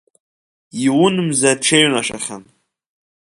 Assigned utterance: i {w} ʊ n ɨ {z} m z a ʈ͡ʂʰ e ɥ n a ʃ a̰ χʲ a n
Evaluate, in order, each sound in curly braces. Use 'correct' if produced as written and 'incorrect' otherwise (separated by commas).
correct, incorrect